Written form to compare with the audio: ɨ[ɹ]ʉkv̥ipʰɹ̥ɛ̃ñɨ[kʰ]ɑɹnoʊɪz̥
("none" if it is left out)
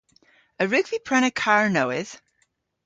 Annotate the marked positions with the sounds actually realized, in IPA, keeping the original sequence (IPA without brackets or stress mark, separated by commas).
ɹ, kʰ